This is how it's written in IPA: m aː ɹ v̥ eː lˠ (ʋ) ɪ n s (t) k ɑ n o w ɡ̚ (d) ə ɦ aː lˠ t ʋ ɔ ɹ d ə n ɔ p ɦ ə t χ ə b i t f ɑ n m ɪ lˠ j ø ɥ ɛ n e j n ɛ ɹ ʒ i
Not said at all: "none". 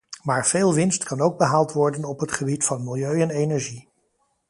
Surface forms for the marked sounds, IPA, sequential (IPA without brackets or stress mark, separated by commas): ʋ, t, b